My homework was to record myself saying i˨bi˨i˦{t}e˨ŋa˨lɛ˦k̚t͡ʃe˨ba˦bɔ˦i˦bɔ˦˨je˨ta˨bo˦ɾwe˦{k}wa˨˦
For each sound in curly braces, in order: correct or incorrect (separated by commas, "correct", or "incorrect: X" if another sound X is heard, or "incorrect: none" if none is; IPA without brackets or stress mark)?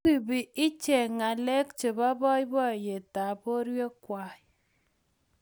incorrect: t͡ʃ, correct